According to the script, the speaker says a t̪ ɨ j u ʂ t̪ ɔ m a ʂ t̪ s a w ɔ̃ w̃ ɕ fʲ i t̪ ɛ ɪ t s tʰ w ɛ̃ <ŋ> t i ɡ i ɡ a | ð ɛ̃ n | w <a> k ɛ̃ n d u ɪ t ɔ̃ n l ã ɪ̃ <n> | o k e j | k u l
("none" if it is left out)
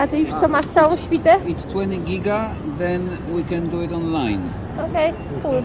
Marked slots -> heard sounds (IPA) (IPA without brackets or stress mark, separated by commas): n, i, n